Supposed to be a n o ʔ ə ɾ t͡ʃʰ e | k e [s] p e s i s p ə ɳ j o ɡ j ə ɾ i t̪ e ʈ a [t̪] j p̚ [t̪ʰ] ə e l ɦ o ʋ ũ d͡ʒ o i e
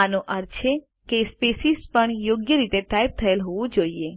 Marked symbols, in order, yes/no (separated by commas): yes, no, yes